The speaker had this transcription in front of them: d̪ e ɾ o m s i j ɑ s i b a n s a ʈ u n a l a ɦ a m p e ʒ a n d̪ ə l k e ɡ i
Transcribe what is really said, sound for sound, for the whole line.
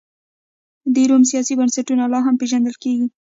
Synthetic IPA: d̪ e ɾ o m s i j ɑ s i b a n s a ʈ u n a l ɑ ɦ a m p e ʒ a n d̪ ə l k e ɡ i